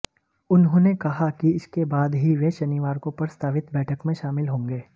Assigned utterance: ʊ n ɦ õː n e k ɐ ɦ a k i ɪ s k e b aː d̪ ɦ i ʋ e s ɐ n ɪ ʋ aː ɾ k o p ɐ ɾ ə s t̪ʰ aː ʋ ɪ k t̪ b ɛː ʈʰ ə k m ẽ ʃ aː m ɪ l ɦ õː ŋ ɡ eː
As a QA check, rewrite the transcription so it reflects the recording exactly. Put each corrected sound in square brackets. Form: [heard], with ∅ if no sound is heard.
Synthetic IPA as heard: ʊ n ɦ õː n e k ɐ ɦ a k i ɪ s k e b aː d̪ ɦ i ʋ e [ʃ] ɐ n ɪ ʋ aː ɾ k o p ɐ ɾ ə s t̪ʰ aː ʋ ɪ [∅] t̪ b ɛː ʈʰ ə k m ẽ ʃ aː m ɪ l ɦ õː ŋ ɡ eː